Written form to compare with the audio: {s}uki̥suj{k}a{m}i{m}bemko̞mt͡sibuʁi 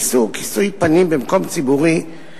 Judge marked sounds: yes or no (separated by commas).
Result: yes, no, no, yes